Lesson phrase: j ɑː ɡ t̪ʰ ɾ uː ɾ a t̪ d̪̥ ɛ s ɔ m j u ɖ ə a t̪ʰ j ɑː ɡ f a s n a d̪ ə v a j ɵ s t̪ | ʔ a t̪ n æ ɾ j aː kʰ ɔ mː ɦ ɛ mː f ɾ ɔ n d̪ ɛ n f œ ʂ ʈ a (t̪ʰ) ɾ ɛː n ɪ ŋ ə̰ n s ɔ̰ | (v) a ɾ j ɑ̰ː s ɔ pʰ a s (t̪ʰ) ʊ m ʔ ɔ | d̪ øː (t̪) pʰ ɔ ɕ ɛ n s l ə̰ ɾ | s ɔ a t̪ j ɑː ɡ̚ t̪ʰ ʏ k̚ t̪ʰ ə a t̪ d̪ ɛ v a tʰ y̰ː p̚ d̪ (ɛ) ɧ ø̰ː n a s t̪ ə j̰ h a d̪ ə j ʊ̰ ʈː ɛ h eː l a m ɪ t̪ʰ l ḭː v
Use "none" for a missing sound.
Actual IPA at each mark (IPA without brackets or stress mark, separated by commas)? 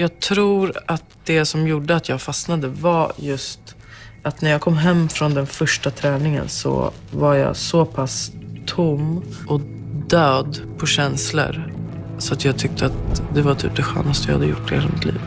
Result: t̪ʰ, v, t̪ʰ, d̪, ɛ